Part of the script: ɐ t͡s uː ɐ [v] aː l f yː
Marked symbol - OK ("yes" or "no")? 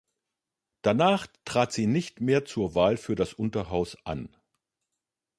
yes